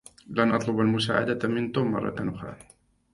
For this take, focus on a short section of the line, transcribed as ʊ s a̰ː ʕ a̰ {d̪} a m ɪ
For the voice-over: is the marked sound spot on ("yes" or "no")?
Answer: yes